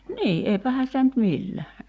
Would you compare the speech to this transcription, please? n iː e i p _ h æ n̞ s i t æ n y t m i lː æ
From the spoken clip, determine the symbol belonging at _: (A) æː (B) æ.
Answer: B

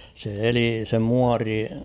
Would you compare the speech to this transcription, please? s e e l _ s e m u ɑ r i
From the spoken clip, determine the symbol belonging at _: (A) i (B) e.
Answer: A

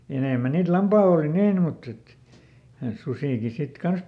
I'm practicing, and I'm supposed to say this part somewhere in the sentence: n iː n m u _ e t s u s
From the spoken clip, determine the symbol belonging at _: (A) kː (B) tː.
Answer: B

